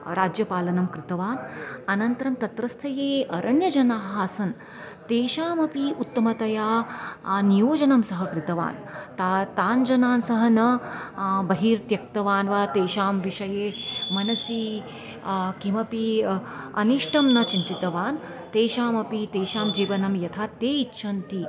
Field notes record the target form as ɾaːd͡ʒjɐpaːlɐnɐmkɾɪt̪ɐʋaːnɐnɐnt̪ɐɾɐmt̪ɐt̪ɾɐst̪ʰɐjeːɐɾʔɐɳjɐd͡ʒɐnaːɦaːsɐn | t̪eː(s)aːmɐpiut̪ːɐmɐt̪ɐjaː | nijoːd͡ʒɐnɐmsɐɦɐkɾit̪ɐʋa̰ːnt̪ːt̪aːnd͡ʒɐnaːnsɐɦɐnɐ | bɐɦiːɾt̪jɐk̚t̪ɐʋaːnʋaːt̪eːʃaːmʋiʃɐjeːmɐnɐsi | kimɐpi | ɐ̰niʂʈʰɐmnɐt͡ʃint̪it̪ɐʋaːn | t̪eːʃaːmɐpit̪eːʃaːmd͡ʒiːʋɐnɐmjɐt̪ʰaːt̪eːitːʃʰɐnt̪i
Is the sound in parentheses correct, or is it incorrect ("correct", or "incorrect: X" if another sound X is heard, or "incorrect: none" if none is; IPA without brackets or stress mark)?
incorrect: ʃ